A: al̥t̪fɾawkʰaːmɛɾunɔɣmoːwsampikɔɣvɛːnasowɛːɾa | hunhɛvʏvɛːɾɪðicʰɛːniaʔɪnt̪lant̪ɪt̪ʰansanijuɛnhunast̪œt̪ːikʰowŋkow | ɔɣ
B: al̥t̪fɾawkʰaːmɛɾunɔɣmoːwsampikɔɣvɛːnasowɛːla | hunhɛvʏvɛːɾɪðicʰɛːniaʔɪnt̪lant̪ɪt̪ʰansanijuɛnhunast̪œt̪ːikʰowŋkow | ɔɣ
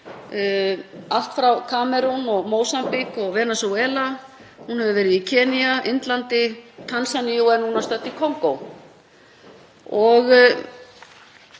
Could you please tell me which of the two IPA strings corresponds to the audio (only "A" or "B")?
B